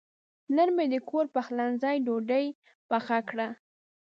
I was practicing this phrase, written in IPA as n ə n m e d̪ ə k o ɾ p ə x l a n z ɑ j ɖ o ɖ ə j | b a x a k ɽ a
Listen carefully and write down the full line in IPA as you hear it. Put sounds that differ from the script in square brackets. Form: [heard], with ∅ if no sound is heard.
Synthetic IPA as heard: n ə n m e d̪ ə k o ɾ p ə x l a n z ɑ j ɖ o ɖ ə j | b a x a k ɽ a